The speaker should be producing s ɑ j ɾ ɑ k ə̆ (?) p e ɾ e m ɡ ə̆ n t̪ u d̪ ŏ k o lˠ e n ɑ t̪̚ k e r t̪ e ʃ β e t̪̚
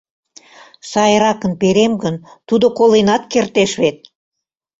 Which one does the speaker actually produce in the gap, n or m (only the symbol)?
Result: n